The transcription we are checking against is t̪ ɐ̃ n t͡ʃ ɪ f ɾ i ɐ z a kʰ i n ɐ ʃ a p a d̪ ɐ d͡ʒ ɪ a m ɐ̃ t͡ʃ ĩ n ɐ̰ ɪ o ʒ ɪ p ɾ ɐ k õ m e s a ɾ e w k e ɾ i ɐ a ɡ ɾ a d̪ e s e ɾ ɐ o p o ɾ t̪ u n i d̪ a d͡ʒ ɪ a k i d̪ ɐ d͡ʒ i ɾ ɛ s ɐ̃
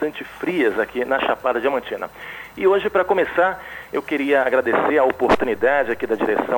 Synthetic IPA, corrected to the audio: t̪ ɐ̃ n t͡ʃ ɪ f ɾ i ɐ z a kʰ i n ɐ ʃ a p a d̪ ɐ d͡ʒ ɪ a m ɐ̃ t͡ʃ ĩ n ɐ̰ ɪ o ʒ ɪ p ɾ ɐ k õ m e s a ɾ e w k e ɾ i ɐ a ɡ ɾ a d̪ e s e ɾ ɐ o p o ɾ t̪ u n i d̪ a d͡ʒ ɪ a k i d̪ ɐ d͡ʒ i ɾ e s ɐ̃